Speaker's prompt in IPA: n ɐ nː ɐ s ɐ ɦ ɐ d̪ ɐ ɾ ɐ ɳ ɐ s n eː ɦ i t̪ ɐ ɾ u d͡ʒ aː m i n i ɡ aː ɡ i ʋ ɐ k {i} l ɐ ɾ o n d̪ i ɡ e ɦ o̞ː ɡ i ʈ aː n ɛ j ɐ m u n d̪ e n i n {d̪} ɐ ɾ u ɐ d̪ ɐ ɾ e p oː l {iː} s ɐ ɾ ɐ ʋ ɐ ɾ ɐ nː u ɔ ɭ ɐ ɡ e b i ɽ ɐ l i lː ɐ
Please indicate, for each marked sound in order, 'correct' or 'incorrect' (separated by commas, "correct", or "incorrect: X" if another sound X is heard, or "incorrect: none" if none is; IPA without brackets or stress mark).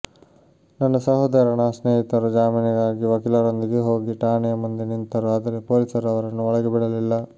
correct, incorrect: t̪, incorrect: i